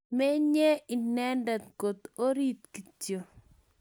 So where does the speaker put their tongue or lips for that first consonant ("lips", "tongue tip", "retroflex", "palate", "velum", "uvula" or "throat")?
lips